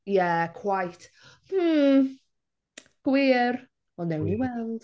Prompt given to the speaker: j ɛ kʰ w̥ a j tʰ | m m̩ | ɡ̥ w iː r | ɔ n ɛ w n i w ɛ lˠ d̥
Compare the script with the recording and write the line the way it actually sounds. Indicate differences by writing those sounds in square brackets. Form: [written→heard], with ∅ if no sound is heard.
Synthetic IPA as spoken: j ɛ kʰ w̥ a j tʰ | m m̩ | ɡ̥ w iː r | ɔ n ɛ w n i w ɛ lˠ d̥